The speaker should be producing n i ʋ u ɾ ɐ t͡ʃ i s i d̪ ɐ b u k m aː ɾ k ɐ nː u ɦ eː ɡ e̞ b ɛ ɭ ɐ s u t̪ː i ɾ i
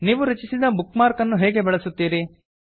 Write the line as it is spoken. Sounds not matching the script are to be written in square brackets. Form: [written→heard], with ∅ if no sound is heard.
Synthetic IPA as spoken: n [i→iː] ʋ u ɾ ɐ t͡ʃ i s i d̪ ɐ b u k m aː ɾ k ɐ nː u ɦ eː ɡ e̞ b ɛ ɭ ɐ s u t̪ː [i→iː] ɾ i